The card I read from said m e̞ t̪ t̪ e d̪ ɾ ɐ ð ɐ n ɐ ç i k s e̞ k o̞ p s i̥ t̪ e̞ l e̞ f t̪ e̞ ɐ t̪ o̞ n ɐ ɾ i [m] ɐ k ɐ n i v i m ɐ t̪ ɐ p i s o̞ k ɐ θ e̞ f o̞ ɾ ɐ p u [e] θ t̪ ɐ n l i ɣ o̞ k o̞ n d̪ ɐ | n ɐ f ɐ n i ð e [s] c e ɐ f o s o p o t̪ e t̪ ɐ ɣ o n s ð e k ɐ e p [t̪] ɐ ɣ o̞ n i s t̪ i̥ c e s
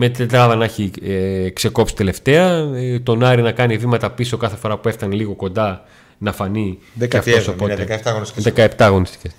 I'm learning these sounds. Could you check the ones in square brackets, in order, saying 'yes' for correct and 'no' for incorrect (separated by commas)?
no, yes, no, yes